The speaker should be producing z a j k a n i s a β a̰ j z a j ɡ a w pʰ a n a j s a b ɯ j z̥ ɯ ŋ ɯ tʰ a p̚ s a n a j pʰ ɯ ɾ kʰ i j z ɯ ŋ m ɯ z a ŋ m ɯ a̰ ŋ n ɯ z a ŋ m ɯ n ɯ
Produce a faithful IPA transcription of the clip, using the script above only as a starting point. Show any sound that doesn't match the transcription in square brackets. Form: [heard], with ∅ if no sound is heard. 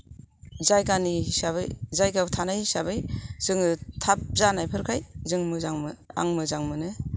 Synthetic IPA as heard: z a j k a n i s a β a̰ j z a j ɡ a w [tʰ] a n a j s a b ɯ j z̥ ɯ ŋ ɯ tʰ a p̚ [z] a n a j pʰ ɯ ɾ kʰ [a] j z ɯ ŋ m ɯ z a ŋ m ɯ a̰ ŋ [m] ɯ z a ŋ m ɯ n ɯ